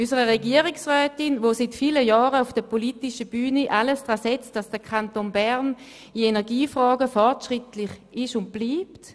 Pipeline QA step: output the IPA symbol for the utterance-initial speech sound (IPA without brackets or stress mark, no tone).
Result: y